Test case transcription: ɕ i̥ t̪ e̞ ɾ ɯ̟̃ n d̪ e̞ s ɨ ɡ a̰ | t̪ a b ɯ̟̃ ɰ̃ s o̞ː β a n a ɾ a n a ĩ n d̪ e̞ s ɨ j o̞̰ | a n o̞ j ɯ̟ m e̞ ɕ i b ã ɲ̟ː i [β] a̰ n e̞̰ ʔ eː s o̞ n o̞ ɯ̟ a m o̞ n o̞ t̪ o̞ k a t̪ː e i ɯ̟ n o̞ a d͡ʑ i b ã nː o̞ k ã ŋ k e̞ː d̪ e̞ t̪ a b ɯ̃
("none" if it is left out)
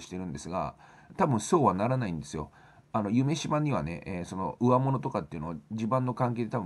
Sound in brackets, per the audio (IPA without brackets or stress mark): β